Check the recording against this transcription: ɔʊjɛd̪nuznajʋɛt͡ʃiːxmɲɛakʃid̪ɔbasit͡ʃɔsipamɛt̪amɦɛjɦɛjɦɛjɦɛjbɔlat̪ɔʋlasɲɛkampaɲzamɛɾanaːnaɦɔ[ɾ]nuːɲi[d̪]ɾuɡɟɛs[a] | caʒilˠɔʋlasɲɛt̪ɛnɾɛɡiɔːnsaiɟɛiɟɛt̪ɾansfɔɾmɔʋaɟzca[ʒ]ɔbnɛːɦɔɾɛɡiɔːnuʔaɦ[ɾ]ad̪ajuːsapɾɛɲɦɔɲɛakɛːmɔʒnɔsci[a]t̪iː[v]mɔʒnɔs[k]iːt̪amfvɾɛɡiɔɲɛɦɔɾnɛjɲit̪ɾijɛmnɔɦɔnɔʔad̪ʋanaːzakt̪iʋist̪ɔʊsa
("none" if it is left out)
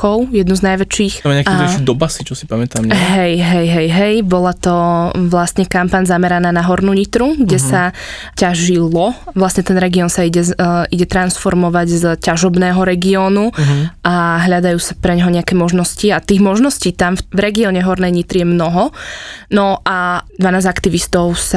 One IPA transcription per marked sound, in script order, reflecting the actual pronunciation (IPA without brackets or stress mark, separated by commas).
ɾ, t̪, a, ʒ, ʎ, a, ɣ, c